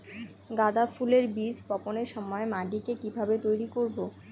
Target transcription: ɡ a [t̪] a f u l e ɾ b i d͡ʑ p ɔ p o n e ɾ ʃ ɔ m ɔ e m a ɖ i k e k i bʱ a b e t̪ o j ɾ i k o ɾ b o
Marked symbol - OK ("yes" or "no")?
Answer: no